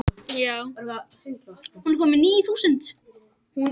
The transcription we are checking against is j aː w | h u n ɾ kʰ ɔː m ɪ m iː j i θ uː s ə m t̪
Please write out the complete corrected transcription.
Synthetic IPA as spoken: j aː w | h u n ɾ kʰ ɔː m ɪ n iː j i θ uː s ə n t̪